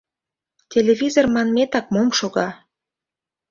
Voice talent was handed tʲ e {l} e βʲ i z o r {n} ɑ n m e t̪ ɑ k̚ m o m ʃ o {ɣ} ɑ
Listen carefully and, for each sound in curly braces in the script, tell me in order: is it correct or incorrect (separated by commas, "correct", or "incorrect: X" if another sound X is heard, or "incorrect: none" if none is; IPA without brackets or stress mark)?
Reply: correct, incorrect: m, correct